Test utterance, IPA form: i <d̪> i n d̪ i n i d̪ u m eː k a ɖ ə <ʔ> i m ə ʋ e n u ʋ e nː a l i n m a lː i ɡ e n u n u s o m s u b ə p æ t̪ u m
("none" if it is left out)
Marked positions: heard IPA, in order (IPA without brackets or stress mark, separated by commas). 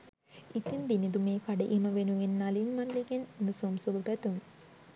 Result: t̪, ʔ